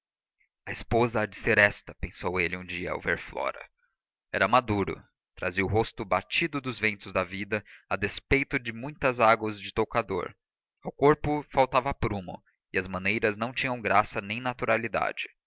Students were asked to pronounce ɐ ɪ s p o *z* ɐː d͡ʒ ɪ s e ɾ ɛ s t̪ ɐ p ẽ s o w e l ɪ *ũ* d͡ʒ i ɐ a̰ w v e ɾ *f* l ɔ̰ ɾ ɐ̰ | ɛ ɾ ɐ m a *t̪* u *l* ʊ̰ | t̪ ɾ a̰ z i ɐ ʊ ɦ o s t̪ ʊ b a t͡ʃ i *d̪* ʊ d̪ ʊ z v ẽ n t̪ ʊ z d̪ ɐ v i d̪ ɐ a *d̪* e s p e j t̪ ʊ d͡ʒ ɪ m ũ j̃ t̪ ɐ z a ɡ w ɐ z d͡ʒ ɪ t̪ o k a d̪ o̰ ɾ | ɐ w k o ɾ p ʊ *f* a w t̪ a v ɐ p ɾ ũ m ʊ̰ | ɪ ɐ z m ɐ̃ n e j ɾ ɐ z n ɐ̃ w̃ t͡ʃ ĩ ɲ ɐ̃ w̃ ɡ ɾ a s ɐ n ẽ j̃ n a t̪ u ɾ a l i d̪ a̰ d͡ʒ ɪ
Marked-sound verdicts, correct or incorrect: correct, correct, correct, incorrect: d̪, incorrect: ɾ, correct, correct, correct

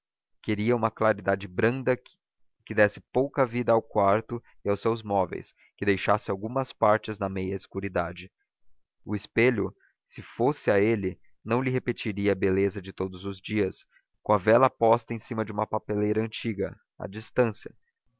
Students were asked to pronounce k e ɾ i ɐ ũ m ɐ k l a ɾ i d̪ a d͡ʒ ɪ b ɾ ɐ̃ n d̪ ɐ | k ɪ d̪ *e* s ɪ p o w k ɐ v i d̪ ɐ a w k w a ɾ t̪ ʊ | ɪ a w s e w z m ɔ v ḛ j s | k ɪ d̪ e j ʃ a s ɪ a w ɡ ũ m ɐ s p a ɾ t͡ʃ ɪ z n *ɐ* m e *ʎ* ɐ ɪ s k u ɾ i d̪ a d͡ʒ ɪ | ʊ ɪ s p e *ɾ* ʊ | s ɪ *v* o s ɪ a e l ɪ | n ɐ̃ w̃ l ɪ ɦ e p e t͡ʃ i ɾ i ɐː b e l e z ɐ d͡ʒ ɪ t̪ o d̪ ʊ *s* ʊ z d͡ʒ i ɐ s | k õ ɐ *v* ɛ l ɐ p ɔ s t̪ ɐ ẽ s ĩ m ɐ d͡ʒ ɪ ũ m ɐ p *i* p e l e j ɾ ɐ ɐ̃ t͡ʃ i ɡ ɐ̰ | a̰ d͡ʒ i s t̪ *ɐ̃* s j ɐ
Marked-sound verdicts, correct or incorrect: incorrect: ɛ, correct, incorrect: j, incorrect: ʎ, incorrect: f, incorrect: z, correct, incorrect: a, correct

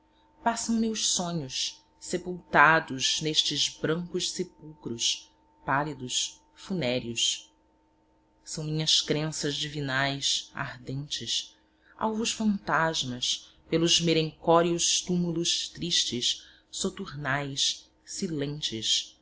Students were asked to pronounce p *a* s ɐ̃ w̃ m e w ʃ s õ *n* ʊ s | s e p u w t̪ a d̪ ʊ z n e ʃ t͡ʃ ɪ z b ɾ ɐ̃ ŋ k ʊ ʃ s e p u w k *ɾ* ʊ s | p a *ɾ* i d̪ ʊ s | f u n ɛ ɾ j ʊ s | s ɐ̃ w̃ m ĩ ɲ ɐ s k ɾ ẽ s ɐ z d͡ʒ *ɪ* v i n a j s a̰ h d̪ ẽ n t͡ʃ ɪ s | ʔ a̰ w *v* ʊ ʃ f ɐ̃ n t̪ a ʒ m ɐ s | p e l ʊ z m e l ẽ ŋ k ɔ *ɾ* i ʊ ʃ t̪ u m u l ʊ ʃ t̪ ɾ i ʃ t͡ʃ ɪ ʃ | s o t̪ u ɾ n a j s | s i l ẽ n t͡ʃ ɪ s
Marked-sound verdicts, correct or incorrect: correct, incorrect: ɲ, correct, incorrect: l, incorrect: i, correct, correct

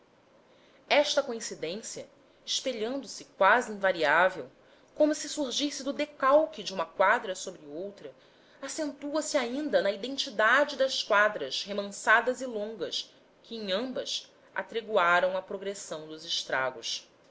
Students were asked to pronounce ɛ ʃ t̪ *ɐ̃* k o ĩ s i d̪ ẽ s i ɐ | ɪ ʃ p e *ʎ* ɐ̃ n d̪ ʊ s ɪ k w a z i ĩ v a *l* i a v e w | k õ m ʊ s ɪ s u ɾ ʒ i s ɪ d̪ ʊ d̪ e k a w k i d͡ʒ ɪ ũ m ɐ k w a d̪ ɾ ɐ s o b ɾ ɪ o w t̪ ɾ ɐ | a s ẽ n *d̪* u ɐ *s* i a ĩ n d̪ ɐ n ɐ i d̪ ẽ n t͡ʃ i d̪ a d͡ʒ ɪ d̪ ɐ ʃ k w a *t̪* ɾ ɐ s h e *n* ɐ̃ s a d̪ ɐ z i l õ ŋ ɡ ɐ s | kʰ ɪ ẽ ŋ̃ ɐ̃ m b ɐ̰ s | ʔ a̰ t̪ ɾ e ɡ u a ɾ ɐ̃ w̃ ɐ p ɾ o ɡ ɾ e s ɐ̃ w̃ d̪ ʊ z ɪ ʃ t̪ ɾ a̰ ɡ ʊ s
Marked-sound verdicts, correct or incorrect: incorrect: ɐ, correct, incorrect: ɾ, incorrect: t̪, correct, incorrect: d̪, incorrect: m

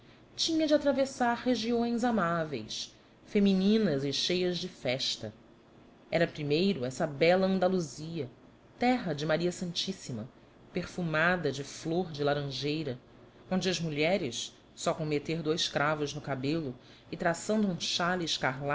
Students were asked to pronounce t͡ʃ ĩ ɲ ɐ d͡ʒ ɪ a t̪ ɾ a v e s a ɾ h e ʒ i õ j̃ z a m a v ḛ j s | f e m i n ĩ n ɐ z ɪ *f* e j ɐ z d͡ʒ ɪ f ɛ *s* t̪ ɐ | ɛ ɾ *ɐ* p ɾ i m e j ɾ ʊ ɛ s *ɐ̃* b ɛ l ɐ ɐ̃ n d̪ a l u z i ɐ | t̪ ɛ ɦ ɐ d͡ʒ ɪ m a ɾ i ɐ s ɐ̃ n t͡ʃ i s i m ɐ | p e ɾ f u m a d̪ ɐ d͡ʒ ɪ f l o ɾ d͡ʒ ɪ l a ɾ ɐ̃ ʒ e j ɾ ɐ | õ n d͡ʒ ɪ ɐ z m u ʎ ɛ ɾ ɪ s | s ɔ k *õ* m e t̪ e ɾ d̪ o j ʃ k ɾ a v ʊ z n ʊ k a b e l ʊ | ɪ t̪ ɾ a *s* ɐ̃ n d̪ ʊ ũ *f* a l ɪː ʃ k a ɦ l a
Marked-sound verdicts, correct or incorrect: incorrect: ʃ, incorrect: ʃ, correct, incorrect: ɐ, correct, correct, incorrect: ʃ

